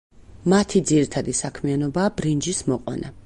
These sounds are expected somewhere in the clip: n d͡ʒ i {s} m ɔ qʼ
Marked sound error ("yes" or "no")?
no